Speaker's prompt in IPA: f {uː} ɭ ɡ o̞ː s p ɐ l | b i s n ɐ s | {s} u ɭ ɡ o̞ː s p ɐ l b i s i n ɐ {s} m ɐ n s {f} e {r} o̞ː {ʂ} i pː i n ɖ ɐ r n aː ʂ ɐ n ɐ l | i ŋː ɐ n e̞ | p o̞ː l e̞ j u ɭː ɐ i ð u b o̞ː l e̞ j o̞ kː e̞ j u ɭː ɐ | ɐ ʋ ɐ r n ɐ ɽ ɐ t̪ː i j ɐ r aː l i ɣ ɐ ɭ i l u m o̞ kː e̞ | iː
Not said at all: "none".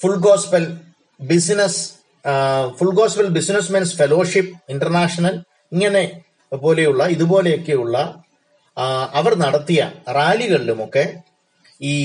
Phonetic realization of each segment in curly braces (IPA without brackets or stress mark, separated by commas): u, f, s, f, l, ʂ